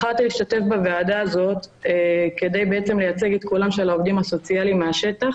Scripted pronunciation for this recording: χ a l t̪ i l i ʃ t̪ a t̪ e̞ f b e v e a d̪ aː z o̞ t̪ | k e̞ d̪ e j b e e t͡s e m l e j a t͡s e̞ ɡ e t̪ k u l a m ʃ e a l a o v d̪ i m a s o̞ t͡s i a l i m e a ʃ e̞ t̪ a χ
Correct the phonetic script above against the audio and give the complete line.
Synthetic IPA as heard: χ a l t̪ i l i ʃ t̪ a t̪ e̞ f b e v e a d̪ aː z o̞ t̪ | k e̞ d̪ e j b e e t͡s e m l e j a t͡s e̞ ɡ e t̪ k u l a m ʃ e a l a o v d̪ i m a s o̞ t͡s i a l i m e a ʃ e̞ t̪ a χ